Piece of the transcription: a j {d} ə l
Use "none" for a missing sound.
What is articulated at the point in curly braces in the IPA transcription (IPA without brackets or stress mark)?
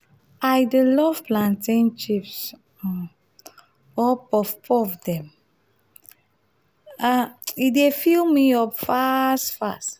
d